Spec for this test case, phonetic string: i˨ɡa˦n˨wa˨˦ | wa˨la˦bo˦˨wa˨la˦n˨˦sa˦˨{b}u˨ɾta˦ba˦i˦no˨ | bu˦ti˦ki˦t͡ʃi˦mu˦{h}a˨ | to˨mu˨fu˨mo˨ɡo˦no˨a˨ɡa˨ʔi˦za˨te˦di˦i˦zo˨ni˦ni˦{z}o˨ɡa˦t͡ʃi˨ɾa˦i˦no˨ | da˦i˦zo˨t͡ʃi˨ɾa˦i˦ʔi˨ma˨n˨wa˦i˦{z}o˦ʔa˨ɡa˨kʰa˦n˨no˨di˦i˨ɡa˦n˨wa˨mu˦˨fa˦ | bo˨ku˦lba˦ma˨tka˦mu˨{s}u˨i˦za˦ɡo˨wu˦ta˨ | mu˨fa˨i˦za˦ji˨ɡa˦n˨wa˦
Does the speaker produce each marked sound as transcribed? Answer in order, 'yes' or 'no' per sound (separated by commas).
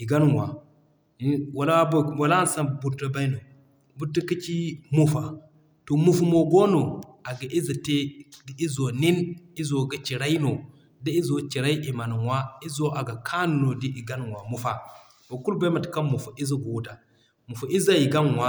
yes, no, yes, yes, no